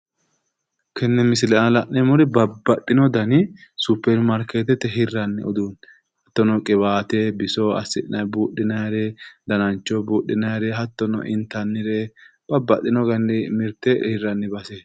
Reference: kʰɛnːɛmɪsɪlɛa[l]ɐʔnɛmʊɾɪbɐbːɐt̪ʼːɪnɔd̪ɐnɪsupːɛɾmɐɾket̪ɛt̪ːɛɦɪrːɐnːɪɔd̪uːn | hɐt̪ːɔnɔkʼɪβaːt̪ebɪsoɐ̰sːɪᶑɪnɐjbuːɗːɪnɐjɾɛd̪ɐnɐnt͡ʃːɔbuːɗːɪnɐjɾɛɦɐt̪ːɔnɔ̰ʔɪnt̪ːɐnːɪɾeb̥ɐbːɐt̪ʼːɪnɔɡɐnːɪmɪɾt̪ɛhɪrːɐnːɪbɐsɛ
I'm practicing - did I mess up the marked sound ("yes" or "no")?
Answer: no